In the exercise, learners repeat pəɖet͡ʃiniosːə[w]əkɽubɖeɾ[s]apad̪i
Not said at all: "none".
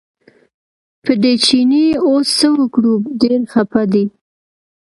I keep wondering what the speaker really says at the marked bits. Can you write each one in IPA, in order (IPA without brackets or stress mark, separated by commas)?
w, x